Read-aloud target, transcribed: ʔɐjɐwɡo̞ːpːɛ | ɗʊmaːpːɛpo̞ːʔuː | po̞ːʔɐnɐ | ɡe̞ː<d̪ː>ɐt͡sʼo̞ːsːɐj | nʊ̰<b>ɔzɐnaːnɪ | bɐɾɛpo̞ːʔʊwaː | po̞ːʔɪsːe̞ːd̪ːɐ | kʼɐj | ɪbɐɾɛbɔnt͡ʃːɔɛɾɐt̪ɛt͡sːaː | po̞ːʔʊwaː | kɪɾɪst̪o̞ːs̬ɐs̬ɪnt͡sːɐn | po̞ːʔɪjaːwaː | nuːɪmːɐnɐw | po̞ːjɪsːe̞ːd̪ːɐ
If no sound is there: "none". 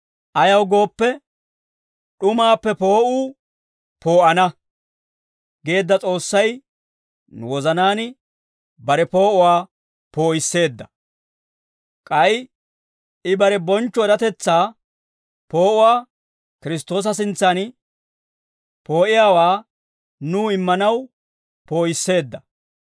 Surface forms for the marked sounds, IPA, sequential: d̪ː, w

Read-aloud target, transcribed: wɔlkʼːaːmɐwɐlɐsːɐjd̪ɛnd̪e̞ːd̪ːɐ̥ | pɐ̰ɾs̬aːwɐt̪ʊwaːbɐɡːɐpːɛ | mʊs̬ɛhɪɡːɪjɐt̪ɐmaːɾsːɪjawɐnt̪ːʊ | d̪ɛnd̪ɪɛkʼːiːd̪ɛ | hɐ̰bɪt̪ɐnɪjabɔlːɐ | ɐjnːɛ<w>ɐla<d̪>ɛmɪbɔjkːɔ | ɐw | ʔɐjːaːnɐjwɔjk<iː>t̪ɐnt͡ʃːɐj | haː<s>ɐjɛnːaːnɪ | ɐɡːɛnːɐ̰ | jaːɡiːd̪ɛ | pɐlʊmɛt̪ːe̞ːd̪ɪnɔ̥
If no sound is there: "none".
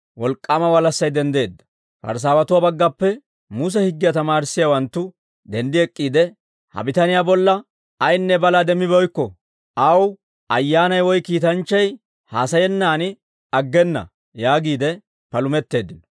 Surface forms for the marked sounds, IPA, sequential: b, d̪, iː, s

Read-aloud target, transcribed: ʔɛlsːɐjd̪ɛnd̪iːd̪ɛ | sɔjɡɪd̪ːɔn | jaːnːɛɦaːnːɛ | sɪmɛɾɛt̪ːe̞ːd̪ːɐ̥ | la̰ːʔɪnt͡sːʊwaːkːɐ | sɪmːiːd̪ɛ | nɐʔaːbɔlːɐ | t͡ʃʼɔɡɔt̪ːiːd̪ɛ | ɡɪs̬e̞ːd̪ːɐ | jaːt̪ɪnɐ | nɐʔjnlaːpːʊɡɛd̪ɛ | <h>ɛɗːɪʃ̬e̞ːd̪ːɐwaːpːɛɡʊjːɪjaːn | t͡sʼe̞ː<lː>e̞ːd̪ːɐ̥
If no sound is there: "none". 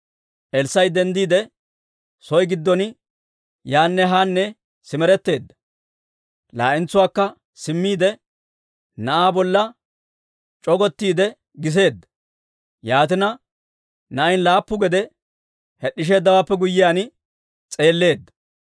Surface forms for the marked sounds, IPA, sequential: h, lː

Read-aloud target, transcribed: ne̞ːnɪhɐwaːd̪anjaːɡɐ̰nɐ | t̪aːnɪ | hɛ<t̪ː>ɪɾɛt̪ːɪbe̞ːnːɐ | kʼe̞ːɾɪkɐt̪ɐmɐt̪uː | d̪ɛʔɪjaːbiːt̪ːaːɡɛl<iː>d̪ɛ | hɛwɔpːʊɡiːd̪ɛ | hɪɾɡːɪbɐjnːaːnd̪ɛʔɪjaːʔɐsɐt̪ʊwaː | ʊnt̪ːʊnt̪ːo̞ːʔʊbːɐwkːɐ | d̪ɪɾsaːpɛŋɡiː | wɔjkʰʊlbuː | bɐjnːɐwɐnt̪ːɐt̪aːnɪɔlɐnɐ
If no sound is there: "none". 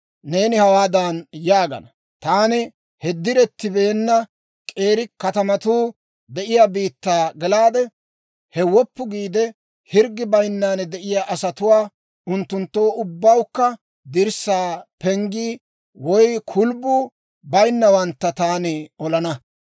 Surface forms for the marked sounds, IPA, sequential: d̪ː, aː

